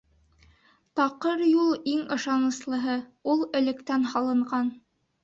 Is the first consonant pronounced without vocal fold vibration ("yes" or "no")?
yes